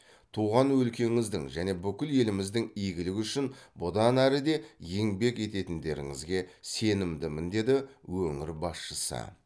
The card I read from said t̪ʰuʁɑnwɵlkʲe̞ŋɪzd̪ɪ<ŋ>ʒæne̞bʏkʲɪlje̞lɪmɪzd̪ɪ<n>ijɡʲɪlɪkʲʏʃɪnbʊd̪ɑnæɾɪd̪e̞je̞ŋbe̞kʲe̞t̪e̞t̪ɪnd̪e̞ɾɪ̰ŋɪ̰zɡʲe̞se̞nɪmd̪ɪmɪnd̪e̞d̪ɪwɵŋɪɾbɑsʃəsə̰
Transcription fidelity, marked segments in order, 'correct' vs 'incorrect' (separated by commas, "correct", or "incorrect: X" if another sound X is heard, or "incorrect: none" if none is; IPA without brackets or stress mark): correct, incorrect: ŋ